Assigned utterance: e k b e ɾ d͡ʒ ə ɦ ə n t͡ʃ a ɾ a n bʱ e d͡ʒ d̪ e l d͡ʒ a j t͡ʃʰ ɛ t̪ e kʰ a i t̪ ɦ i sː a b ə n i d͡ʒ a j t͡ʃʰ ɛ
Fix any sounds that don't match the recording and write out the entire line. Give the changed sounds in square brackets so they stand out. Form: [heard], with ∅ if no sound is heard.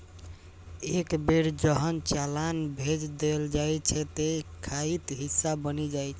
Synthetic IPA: e k b e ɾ d͡ʒ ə ɦ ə n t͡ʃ a [l] a n bʱ e d͡ʒ d̪ e l d͡ʒ a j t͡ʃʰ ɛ t̪ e kʰ a i t̪ ɦ i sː a b ə n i d͡ʒ a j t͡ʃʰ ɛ